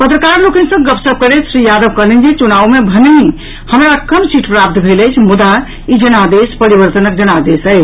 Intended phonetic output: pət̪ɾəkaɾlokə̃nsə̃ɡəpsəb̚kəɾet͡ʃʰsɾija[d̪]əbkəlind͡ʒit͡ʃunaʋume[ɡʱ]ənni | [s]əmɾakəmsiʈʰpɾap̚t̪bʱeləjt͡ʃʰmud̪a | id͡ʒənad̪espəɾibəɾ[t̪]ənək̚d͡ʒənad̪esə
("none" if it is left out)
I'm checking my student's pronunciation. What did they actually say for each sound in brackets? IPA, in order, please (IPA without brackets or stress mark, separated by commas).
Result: d̪, bʱ, h, t̪